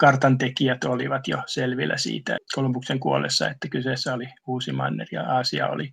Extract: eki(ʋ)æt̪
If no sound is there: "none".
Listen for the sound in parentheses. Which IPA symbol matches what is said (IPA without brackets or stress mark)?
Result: none